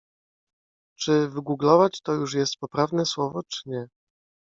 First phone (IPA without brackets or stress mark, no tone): t͡ʂ